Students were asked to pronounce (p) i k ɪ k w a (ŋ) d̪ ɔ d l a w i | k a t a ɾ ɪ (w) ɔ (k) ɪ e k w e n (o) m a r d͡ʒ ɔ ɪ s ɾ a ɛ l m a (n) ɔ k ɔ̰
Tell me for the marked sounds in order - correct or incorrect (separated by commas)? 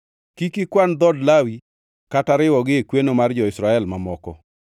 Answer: incorrect, incorrect, correct, incorrect, correct, incorrect